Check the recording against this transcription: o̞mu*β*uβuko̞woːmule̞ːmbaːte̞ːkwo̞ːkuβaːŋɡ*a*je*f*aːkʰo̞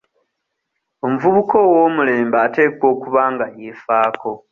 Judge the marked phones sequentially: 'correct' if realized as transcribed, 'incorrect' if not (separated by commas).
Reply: incorrect, correct, correct